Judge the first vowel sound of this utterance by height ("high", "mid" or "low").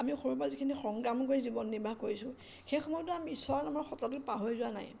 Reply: low